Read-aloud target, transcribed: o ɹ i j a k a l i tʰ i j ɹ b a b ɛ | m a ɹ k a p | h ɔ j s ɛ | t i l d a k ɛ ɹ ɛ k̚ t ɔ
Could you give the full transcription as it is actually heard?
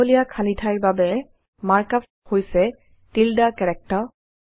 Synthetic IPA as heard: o l i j a kʰ a l i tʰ a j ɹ b a b ɛ | m a ɹ k a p | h o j s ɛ | t i l d a k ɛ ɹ ɛ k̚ t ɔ